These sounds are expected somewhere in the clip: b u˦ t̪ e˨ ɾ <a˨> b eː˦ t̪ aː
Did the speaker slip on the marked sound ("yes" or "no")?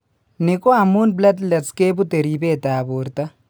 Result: yes